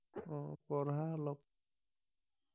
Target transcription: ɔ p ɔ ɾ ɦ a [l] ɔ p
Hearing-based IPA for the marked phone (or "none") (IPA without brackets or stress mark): l